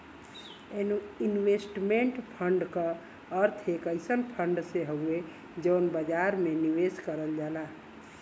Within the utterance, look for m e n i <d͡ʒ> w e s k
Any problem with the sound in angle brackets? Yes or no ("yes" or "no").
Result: yes